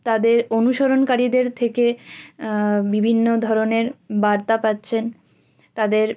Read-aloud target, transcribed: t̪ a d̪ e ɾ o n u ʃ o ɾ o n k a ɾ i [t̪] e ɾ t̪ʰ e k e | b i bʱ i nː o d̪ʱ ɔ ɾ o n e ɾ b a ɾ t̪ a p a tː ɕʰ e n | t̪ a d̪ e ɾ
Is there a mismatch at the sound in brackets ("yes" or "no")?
yes